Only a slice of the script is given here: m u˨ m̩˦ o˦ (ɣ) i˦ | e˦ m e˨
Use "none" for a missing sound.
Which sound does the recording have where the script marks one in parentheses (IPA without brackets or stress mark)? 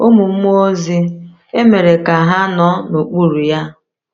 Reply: z